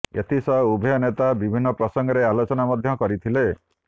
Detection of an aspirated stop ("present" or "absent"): present